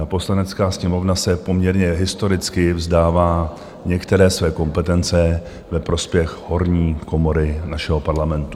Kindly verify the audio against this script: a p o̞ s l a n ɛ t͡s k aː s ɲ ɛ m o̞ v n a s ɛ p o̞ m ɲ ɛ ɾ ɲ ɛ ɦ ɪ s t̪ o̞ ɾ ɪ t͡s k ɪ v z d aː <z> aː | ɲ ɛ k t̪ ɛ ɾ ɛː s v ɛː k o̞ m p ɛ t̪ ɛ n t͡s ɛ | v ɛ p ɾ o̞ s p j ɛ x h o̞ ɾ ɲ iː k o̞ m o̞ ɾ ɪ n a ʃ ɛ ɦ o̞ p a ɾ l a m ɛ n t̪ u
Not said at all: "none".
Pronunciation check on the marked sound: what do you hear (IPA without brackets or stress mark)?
v